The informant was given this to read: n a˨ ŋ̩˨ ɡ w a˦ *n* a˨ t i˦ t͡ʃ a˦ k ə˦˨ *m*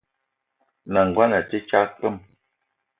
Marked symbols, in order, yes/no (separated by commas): yes, yes